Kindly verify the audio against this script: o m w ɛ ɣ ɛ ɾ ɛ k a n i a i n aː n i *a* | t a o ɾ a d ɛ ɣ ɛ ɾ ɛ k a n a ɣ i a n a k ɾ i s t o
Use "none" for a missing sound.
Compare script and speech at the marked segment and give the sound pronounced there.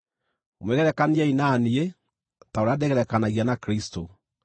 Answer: e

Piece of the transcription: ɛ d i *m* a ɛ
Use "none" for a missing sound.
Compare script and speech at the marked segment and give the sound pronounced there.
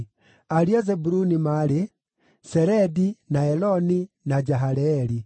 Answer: n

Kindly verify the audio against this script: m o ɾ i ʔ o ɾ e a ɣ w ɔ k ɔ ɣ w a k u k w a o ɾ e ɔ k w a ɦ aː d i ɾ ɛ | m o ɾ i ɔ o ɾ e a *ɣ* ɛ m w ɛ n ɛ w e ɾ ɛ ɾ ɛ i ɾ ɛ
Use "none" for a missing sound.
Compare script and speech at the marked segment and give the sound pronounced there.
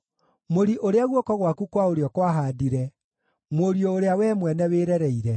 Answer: w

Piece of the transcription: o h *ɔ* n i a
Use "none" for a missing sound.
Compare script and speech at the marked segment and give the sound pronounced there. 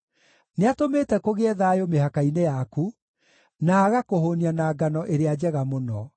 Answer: o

